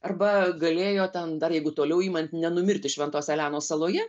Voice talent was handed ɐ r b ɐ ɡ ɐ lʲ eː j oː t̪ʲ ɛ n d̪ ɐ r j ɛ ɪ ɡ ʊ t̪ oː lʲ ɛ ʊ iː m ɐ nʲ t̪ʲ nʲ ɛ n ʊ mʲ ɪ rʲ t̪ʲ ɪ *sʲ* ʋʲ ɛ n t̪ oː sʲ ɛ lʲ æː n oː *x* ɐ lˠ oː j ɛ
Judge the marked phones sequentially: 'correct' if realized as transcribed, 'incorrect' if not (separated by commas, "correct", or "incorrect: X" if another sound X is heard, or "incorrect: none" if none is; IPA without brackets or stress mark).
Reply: incorrect: ʃʲ, incorrect: s